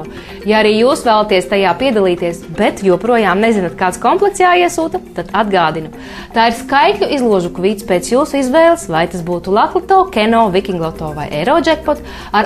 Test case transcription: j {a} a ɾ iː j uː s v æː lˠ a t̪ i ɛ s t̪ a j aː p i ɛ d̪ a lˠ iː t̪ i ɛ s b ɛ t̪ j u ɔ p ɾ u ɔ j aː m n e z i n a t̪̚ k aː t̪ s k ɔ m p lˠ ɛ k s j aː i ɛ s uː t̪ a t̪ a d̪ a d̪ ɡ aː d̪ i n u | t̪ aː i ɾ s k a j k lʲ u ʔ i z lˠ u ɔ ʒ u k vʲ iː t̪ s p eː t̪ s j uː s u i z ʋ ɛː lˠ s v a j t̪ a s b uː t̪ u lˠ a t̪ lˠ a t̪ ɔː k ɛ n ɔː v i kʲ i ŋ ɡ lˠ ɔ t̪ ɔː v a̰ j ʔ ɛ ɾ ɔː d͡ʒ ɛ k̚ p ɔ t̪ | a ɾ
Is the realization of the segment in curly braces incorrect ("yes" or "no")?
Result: no